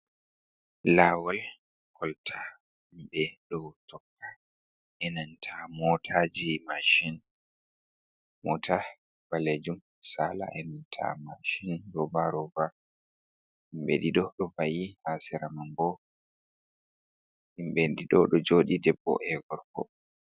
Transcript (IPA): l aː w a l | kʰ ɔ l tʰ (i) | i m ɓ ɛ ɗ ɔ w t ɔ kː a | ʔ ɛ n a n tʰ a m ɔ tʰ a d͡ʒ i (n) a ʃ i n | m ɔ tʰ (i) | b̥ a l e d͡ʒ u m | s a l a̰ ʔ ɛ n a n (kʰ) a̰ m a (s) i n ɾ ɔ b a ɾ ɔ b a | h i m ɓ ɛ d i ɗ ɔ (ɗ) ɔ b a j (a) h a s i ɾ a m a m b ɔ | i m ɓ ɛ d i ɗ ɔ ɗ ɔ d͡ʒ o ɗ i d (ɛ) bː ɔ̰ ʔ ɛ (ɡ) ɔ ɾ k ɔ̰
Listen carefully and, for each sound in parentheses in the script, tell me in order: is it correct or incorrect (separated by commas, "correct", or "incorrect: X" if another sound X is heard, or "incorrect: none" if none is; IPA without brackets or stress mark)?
incorrect: a, incorrect: m, incorrect: a, incorrect: tʰ, incorrect: ʃ, correct, incorrect: i, correct, correct